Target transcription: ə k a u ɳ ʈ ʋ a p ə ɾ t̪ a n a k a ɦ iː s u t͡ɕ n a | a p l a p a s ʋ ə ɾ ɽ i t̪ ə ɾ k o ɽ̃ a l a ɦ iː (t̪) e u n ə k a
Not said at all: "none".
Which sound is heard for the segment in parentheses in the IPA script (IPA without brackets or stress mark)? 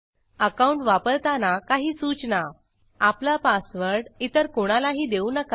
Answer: d̪